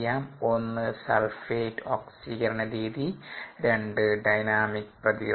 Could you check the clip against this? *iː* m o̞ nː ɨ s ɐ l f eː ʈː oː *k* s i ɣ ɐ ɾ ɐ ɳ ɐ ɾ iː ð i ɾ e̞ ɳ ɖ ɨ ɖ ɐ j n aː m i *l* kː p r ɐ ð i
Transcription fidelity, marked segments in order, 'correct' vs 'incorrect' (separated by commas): incorrect, correct, incorrect